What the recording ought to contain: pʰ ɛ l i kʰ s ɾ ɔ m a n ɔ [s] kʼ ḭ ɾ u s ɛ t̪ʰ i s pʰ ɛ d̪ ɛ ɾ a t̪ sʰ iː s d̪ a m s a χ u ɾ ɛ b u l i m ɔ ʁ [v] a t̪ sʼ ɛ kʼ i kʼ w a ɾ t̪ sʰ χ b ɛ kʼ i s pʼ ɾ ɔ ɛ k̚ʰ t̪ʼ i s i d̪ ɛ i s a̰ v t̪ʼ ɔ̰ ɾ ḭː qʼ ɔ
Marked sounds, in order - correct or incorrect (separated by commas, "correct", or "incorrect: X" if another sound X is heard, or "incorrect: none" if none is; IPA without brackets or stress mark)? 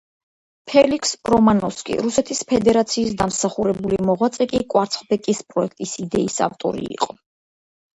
correct, incorrect: w